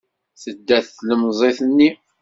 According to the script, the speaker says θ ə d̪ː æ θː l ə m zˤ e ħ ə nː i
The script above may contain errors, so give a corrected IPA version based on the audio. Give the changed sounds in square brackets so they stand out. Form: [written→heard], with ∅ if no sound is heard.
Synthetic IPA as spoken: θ ə d̪ː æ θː l ə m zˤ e [ħ→θ] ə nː i